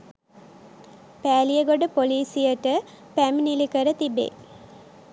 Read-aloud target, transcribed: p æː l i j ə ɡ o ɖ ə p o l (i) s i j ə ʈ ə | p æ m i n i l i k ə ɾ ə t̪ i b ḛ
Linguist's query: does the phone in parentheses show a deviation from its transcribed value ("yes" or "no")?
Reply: yes